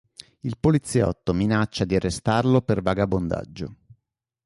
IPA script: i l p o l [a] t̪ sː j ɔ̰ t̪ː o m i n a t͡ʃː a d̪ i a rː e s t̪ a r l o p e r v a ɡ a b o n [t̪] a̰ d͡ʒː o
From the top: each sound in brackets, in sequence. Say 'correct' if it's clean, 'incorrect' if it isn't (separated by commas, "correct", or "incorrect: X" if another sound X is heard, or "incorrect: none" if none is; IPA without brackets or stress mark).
incorrect: i, incorrect: d̪